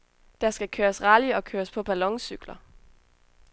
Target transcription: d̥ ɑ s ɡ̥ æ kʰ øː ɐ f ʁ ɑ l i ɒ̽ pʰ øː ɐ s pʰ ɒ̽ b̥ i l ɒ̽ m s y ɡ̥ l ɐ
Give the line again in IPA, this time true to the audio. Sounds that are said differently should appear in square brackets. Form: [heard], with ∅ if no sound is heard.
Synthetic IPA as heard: d̥ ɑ s ɡ̥ æ kʰ øː ɐ [s] ʁ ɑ l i ɒ̽ [kʰ] øː ɐ s pʰ ɒ̽ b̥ [æ] l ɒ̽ [ŋ] s y ɡ̥ l ɐ